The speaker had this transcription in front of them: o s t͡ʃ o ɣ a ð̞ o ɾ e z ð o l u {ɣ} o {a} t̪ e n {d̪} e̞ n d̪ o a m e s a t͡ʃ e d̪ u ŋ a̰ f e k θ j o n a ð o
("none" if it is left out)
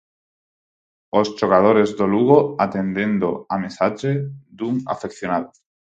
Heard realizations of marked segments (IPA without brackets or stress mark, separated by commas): ɣ, a, d̪